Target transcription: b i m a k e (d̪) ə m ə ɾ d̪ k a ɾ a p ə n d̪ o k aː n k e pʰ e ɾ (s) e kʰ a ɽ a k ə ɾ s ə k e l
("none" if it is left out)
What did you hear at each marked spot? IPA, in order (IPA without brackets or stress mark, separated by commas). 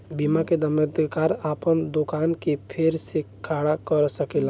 d̪, s